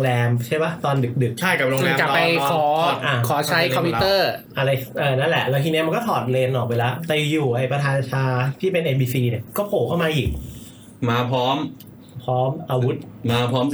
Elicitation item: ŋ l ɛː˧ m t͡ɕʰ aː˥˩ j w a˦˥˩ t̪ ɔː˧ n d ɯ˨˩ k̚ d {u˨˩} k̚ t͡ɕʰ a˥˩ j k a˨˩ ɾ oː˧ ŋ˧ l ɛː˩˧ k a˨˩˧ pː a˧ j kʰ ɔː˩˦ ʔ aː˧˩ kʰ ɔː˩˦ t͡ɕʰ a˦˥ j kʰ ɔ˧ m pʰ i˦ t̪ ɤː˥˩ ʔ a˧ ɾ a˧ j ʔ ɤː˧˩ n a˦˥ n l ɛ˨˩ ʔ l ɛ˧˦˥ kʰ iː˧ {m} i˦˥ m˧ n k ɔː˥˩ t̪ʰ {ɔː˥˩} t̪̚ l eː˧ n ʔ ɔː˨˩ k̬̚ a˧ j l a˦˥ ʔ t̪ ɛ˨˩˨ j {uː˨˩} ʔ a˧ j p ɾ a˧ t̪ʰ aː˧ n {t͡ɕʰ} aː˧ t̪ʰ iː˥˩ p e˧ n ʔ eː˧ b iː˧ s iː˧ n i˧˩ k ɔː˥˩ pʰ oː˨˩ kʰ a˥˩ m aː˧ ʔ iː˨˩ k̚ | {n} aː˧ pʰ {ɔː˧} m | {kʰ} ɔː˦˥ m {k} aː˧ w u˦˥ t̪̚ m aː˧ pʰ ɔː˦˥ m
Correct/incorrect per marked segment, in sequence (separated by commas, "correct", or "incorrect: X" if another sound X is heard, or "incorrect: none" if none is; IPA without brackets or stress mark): incorrect: ɯ˨˩, incorrect: n, incorrect: ɔː˨˩, correct, correct, incorrect: m, incorrect: ɔː˦˥, incorrect: pʰ, incorrect: ʔ